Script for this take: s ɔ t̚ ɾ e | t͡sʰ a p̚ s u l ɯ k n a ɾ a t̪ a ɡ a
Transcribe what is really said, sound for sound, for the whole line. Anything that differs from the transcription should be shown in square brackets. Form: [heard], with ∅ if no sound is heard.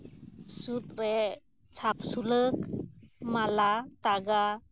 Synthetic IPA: s [u] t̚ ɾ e | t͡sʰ a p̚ s u l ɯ k [m] a [l] a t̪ a ɡ a